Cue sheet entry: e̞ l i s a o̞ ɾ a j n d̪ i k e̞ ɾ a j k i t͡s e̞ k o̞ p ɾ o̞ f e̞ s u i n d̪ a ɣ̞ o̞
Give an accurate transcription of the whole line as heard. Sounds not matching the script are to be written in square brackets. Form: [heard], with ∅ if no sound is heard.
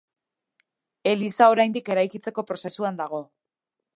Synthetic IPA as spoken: e̞ l i s a o̞ ɾ a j n d̪ i k e̞ ɾ a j k i t͡s e̞ k o̞ p ɾ o̞ [s] e̞ s u [a] n d̪ a ɣ̞ o̞